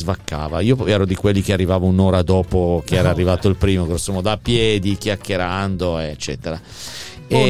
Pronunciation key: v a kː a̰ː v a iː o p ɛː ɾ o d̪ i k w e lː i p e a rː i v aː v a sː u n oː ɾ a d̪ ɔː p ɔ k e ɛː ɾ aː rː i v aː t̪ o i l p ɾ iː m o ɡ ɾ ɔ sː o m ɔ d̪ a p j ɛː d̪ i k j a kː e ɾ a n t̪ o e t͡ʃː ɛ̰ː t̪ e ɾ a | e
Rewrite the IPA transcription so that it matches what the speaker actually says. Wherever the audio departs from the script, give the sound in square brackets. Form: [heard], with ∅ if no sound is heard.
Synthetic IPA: v a kː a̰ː v a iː o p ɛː ɾ o d̪ i k w e lː i [k] e a rː i v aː v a [∅] u n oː ɾ a d̪ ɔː p [o] k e ɛː ɾ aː rː i v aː t̪ o i l p ɾ iː m o ɡ ɾ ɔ sː o m ɔ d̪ a p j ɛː d̪ i k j a kː e ɾ a n [d̪] o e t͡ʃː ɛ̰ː t̪ e ɾ a | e